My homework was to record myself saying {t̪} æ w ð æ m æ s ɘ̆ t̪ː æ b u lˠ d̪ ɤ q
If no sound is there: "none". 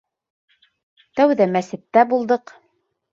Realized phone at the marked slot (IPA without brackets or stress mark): t̪